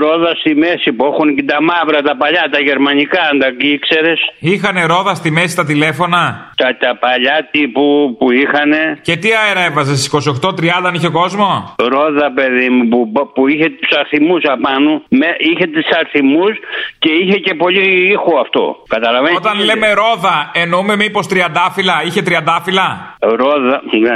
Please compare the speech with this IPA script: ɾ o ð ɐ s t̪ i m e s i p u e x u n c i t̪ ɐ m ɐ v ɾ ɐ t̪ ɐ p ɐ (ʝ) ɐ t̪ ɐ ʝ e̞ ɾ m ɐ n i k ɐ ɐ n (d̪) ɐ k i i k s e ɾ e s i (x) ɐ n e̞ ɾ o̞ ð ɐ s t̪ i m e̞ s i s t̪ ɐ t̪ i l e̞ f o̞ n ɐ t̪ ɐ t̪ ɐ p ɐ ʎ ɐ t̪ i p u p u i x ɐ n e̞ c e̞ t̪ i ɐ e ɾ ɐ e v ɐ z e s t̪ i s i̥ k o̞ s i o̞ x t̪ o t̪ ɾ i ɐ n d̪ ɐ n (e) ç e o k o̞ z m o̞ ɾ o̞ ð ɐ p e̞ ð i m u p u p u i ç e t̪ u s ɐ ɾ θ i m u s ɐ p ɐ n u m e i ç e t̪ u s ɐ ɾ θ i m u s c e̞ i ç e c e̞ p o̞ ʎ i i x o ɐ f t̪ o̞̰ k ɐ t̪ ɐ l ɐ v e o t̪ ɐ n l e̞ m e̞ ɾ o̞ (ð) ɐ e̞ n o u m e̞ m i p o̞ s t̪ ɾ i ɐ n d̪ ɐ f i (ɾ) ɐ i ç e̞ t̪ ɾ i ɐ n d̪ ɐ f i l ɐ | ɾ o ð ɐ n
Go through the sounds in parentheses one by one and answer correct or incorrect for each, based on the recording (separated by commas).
incorrect, correct, correct, incorrect, correct, incorrect